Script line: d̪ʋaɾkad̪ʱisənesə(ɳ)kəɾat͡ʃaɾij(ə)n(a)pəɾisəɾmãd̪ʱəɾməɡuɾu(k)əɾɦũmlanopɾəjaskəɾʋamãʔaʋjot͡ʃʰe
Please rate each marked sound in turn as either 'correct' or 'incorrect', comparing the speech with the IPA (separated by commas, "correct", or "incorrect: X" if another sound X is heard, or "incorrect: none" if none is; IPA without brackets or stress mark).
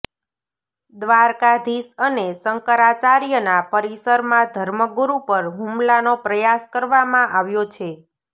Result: incorrect: ŋ, correct, correct, incorrect: p